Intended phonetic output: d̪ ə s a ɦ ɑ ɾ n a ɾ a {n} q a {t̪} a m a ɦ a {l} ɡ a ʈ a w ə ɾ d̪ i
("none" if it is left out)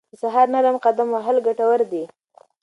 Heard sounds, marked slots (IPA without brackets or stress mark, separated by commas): m, d̪, l